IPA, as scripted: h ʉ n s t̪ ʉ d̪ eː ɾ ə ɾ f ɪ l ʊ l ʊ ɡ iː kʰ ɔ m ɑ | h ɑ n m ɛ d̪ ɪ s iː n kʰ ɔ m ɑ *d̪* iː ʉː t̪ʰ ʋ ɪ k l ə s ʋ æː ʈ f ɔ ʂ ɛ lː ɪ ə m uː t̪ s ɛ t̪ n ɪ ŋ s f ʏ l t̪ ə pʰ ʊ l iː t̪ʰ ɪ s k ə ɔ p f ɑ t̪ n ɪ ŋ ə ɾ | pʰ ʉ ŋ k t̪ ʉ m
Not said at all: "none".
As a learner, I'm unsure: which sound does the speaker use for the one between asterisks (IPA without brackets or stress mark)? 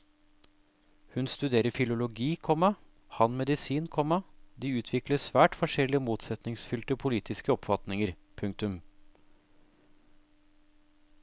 d̪